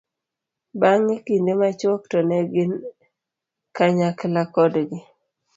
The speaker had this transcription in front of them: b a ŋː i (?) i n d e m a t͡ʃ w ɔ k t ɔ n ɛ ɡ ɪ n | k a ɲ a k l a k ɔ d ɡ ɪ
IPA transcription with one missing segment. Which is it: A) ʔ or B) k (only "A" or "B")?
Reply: B